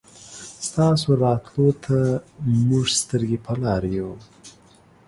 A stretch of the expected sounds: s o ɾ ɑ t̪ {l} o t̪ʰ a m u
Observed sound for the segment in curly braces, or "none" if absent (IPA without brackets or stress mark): l